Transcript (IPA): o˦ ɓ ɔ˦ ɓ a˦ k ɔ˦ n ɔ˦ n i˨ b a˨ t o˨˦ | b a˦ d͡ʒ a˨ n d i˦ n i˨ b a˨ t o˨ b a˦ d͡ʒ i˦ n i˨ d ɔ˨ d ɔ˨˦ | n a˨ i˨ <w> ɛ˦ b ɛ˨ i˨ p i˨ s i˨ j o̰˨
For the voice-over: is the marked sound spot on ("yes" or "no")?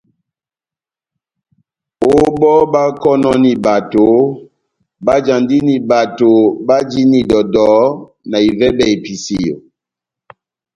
no